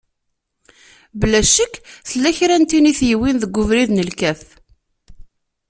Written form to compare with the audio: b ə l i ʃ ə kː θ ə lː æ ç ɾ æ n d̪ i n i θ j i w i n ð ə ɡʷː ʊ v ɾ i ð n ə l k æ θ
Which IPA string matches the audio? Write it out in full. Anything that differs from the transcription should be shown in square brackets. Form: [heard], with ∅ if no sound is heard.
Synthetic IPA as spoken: b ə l [æ] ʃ ə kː θ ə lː æ ç ɾ æ n [t̪] i n i θ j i w i n ð ə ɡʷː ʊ v ɾ i ð n ə l k æ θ